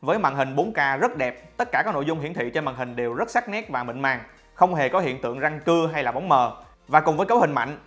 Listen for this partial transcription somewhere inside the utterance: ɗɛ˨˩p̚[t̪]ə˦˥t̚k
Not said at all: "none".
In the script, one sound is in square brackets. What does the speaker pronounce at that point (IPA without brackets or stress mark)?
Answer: t̪